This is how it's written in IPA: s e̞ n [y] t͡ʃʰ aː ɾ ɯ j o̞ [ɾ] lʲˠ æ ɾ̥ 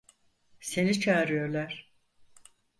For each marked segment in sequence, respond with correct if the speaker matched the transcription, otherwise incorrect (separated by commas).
incorrect, correct